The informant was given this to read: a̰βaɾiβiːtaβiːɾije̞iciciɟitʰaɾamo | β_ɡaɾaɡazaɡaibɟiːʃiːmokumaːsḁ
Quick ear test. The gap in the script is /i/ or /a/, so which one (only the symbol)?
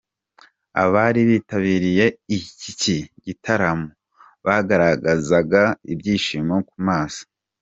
a